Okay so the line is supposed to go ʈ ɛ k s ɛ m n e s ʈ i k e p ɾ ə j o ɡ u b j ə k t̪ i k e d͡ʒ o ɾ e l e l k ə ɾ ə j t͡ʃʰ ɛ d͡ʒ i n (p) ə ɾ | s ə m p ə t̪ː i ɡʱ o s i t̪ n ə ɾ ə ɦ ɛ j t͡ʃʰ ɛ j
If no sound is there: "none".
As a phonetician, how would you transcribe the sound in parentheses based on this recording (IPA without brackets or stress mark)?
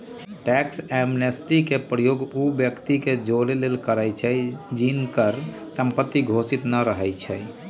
k